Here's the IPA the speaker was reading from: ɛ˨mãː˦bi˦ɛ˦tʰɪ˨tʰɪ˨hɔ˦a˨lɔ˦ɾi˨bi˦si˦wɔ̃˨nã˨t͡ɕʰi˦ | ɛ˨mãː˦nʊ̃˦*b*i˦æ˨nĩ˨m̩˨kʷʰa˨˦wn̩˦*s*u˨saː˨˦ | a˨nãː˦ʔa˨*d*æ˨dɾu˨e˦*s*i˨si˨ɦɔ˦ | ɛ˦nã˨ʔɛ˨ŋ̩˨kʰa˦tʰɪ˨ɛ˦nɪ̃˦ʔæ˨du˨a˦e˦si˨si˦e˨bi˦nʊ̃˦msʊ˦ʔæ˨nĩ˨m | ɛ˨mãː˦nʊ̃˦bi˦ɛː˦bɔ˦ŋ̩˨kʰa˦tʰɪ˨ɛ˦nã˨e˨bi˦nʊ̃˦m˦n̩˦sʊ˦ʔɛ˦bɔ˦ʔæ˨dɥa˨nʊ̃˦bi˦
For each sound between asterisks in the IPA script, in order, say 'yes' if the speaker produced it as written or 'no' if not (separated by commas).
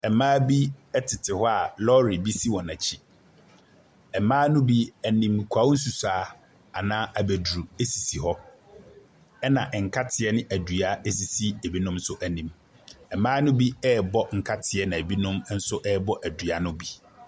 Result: yes, yes, no, yes